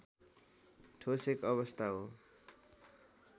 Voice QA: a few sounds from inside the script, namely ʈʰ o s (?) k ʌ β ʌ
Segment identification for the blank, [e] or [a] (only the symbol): e